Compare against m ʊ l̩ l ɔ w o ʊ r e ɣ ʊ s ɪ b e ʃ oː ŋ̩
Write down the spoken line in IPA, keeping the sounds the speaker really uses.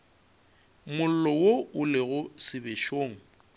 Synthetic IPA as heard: m ʊ l̩ l ɔ w o ʊ l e ɣ ʊ s ɪ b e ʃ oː ŋ̩